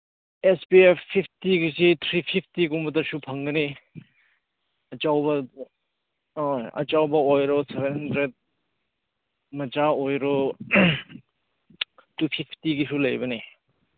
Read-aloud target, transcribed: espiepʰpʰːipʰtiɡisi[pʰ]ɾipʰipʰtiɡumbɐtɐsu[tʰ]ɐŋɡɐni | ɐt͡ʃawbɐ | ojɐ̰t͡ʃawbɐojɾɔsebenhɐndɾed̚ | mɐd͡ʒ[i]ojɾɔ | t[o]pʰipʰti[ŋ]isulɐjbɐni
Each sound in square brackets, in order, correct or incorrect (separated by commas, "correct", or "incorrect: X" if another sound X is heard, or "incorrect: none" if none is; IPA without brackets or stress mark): incorrect: tʰ, incorrect: pʰ, incorrect: a, incorrect: u, incorrect: ɡ